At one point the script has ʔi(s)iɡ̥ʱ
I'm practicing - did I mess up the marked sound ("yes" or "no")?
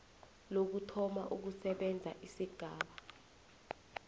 no